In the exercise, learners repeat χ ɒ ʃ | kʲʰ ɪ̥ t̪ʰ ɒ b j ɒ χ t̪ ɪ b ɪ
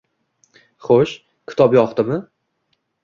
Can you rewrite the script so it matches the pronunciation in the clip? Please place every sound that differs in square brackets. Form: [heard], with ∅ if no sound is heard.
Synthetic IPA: χ [o] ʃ | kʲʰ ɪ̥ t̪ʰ ɒ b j ɒ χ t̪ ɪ [m] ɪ